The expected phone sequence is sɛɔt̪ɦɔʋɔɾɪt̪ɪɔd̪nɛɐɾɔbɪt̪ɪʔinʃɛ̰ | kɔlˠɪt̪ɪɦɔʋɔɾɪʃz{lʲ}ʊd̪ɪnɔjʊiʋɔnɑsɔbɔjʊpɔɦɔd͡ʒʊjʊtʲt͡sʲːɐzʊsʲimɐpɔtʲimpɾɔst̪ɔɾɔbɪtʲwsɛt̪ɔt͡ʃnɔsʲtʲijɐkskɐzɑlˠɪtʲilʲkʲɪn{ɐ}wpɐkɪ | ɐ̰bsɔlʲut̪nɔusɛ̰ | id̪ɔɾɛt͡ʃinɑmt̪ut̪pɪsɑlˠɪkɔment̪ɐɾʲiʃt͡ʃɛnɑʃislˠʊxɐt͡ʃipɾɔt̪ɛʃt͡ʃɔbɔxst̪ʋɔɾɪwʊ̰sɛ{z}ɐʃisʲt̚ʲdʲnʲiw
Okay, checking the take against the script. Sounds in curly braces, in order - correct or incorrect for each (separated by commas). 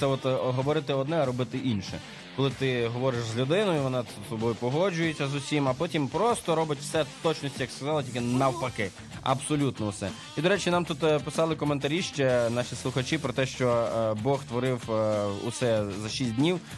correct, correct, correct